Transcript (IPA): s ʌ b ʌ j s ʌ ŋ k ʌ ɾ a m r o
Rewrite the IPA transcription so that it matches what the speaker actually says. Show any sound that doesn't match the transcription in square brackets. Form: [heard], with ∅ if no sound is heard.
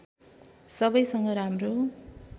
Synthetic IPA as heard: s ʌ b ʌ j s ʌ ŋ [ɡ] ʌ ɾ a m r o